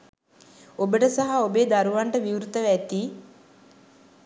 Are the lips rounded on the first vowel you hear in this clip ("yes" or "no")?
yes